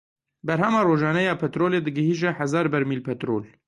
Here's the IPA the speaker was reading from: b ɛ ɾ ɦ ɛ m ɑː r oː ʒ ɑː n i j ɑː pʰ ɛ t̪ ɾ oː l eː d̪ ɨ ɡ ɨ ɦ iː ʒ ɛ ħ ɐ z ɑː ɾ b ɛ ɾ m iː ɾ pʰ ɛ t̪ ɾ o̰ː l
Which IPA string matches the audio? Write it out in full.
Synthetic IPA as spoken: b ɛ ɾ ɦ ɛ m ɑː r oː ʒ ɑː n ɛ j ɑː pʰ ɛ t̪ ɾ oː l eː d̪ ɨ ɡ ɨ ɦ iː ʒ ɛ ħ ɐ z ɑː ɾ b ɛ ɾ m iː l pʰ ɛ t̪ ɾ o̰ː l